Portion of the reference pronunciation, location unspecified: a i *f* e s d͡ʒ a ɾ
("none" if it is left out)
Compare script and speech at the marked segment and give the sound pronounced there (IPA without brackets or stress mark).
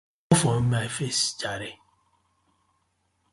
f